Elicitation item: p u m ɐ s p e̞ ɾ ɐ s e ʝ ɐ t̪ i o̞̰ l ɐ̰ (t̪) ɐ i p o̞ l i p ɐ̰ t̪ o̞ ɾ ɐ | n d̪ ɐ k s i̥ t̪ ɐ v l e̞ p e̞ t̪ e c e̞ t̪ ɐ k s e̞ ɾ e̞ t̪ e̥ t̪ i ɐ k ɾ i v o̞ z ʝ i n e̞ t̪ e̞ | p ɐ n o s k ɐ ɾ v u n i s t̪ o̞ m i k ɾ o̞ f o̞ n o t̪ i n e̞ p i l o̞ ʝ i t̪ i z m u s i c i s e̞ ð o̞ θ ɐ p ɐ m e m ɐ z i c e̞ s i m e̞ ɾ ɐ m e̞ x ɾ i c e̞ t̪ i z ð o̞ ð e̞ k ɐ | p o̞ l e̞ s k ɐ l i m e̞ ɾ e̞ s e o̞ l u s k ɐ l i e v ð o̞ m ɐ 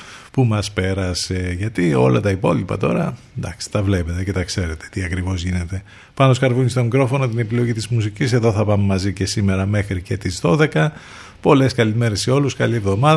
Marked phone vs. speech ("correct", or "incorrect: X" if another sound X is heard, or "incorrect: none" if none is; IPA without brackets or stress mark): correct